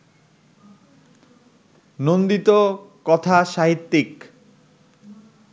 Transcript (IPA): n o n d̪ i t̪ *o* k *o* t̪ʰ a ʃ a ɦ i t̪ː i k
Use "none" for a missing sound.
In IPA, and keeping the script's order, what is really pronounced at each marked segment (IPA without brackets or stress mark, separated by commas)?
o, ɔ